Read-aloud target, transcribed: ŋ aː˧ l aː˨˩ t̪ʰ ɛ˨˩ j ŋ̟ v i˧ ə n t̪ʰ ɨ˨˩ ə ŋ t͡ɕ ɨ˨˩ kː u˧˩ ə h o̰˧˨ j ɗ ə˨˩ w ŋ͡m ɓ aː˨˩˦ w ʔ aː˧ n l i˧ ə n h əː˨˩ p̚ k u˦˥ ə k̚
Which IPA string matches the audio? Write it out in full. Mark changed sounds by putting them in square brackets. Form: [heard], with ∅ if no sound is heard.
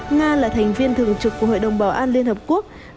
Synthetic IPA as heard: ŋ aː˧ l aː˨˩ t̪ʰ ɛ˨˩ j ŋ̟ v i˧ ə n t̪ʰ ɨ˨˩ ə ŋ t͡ɕ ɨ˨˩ kː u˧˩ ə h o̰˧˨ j ɗ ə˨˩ w ŋ͡m ɓ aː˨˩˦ w ʔ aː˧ n l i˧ ə n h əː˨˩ p̚ k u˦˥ ə k̚